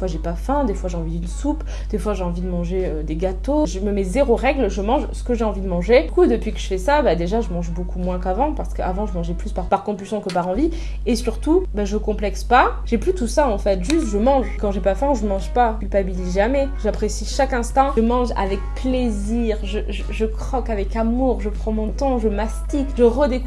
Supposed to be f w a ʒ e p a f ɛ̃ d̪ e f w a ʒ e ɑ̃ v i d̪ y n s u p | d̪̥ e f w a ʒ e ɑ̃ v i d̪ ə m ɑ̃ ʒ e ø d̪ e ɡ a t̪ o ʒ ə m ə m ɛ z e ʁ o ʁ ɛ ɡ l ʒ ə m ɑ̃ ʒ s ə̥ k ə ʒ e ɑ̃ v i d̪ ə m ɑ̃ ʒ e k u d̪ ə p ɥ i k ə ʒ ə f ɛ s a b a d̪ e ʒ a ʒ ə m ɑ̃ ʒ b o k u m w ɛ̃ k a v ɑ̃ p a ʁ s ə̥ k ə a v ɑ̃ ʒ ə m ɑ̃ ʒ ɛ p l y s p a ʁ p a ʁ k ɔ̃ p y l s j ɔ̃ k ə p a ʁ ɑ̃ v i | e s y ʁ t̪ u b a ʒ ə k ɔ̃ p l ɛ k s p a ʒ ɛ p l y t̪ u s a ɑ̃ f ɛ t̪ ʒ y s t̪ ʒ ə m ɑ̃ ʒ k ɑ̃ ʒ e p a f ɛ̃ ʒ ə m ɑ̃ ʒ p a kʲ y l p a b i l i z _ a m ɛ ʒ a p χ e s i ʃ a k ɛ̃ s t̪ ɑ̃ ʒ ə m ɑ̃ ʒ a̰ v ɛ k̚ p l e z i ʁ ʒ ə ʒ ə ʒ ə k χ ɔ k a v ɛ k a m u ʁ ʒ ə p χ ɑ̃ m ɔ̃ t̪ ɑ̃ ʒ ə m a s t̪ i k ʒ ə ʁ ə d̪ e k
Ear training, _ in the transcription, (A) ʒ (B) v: A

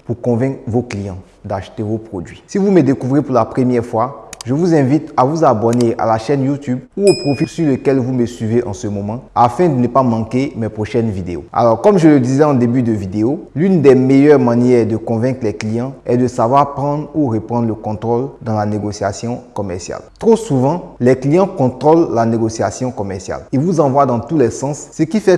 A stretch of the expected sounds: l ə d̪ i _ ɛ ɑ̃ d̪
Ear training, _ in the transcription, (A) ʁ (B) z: B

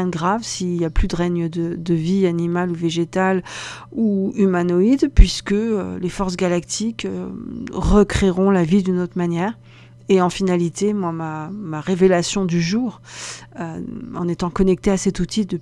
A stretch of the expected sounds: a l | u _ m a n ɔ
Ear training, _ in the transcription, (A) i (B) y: B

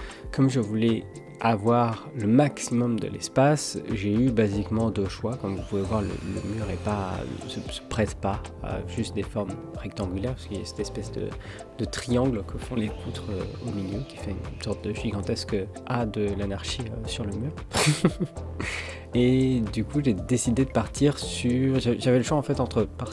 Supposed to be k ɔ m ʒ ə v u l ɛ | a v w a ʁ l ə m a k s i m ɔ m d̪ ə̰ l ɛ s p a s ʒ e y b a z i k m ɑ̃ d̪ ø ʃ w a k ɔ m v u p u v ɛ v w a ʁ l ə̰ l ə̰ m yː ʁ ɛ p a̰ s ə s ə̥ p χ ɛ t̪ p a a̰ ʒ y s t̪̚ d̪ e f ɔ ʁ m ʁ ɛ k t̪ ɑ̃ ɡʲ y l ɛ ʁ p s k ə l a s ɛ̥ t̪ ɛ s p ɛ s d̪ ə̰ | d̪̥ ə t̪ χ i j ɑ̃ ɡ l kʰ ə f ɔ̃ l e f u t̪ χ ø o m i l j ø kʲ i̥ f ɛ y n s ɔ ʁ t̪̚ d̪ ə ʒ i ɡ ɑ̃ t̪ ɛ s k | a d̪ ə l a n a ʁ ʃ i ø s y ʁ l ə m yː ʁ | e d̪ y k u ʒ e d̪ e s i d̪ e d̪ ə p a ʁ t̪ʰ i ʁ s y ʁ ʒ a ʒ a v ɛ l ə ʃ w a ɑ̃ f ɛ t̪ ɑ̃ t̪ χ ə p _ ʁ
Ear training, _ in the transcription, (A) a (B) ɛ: A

